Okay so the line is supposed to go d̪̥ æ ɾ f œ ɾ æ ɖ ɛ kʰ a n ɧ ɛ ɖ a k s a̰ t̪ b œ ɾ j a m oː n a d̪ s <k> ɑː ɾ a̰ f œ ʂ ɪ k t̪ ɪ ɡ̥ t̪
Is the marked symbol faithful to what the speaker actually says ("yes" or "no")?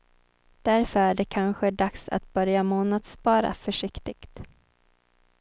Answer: no